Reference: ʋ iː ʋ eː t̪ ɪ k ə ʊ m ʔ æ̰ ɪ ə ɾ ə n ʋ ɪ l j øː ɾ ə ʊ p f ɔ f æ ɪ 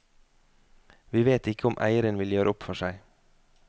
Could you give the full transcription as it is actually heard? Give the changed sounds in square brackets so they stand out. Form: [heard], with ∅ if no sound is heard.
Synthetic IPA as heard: ʋ iː ʋ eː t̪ ɪ k ə ʊ m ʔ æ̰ ɪ ə ɾ ə n ʋ ɪ l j øː ɾ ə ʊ p f ɔ [ʃ] æ ɪ